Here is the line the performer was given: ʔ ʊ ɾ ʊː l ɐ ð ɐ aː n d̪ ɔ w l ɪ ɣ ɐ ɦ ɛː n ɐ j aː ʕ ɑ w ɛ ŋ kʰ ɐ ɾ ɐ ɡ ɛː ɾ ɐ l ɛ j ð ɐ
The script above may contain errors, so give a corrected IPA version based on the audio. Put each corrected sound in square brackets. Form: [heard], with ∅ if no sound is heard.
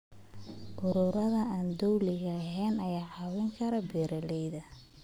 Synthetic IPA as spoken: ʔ ʊ ɾ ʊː [ɾ] ɐ ð ɐ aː n d̪ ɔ w l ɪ ɣ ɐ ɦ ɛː n ɐ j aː ʕ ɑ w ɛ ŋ kʰ ɐ ɾ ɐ [b] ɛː ɾ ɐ l ɛ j ð ɐ